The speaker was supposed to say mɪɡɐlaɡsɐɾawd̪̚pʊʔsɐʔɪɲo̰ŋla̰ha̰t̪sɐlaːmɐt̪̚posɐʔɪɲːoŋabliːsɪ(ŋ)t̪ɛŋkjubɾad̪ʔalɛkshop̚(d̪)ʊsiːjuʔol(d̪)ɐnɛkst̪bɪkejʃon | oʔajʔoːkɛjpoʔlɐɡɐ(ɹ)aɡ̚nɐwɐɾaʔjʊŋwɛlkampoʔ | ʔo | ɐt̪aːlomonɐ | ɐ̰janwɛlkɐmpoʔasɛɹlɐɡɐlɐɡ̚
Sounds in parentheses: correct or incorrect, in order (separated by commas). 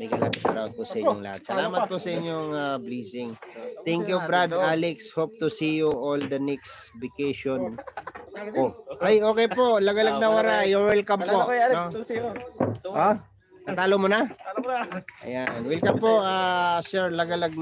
correct, incorrect, correct, incorrect